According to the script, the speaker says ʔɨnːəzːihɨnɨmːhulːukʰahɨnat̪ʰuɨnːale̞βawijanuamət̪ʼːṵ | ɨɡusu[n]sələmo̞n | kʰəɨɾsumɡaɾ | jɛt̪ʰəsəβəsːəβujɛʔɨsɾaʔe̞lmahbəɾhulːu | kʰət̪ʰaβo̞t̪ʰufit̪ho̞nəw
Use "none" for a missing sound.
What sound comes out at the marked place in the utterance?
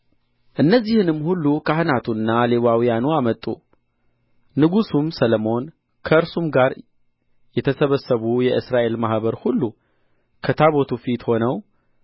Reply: m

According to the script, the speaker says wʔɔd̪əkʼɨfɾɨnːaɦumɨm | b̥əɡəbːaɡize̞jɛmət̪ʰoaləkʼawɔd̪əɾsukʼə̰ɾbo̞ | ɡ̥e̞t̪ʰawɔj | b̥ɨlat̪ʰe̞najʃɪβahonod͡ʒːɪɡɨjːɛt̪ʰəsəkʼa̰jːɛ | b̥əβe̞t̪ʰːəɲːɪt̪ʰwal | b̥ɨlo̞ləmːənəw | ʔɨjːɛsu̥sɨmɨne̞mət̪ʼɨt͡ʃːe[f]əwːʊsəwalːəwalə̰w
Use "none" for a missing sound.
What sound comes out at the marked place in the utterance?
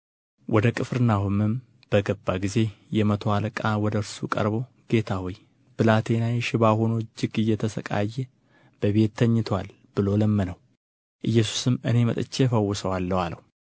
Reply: f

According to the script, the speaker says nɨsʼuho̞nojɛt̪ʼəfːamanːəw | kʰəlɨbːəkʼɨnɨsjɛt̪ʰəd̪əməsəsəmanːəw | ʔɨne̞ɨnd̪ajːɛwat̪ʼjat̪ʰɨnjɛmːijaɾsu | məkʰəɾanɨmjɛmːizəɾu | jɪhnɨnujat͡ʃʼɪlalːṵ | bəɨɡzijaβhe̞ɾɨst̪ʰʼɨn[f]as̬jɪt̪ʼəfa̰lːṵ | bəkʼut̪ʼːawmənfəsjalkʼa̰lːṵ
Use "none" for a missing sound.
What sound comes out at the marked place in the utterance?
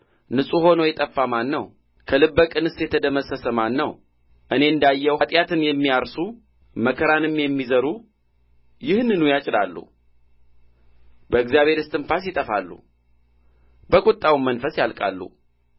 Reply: f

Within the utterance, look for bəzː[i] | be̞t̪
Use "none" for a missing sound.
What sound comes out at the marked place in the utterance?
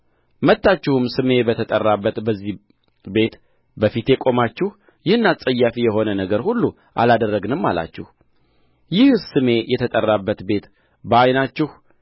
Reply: i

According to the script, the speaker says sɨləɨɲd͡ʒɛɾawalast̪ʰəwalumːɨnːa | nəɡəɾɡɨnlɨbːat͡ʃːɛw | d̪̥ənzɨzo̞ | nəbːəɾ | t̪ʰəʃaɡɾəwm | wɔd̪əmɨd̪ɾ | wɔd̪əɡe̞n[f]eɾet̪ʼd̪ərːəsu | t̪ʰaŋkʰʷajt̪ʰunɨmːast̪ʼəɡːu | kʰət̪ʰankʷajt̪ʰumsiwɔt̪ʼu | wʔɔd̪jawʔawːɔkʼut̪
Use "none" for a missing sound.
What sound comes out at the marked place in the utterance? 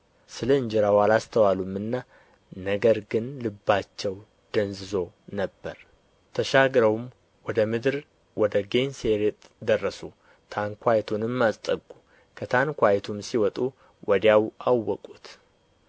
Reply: s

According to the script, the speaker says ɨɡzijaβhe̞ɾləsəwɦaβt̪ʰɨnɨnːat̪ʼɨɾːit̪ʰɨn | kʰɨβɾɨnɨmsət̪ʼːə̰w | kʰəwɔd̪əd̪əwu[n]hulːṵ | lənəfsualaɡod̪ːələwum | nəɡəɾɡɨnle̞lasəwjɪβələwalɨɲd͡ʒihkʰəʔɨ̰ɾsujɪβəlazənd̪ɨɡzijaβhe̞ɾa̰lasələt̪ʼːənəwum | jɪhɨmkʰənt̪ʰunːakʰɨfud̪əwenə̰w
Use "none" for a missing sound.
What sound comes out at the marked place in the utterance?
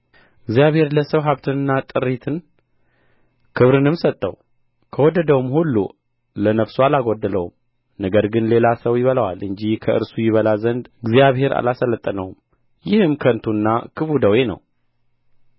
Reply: m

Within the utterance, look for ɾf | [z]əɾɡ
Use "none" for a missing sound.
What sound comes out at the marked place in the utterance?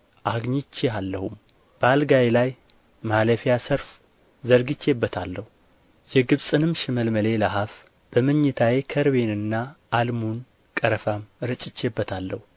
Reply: z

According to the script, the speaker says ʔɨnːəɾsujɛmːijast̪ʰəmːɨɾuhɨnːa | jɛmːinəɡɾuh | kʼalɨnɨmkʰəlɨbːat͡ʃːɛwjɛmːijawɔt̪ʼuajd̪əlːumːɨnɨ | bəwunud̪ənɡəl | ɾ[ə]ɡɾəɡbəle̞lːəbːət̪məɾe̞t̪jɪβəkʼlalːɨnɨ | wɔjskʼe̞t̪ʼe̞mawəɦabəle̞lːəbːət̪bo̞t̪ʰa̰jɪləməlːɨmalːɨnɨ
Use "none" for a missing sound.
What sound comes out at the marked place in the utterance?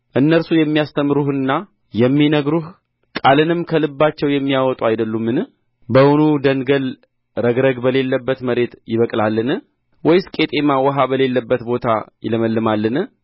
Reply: ə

